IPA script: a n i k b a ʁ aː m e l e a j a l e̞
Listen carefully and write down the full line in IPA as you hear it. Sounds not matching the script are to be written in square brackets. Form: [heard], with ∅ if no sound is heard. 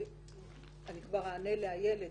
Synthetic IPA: a n i k [v] a ʁ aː [n] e l e a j [e] l e̞